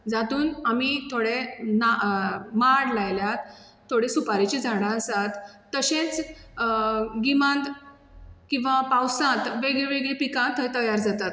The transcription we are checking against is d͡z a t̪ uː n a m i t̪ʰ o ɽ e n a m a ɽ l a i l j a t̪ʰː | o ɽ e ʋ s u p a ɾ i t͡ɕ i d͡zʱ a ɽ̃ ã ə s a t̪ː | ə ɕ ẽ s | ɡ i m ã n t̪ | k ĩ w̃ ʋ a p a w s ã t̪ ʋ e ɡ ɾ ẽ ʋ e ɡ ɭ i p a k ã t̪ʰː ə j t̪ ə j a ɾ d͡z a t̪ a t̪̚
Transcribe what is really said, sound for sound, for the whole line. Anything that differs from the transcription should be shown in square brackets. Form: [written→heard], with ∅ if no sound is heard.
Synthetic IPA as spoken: d͡z a t̪ uː n a m i t̪ʰ o ɽ e n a m a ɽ l a [i→j] l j a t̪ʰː | o ɽ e [ʋ→∅] s u p a ɾ i t͡ɕ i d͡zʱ a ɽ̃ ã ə s a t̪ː | ə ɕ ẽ [s→t͡s] | ɡ i m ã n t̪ | k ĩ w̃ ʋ a p a w s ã t̪ ʋ e ɡ [ɾ→ɭ] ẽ ʋ e ɡ ɭ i p [a→i] k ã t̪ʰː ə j t̪ ə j a ɾ d͡z a t̪ a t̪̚